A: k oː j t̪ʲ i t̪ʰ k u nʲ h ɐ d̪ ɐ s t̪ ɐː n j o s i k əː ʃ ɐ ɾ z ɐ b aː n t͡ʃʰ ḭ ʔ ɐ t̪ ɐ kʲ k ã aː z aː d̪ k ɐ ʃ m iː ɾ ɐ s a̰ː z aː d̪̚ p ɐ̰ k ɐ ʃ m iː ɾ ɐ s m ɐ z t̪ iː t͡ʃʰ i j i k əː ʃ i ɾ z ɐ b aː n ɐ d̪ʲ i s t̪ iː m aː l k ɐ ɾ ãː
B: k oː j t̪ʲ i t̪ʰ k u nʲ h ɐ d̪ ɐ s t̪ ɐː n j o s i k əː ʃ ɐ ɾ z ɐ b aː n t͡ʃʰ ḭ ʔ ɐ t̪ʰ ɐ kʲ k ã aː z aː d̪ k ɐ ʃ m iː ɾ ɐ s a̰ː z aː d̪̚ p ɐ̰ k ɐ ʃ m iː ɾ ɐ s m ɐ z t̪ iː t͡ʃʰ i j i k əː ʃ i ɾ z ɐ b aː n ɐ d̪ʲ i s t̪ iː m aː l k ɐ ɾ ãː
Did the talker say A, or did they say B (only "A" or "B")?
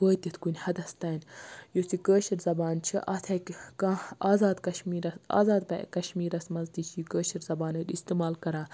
B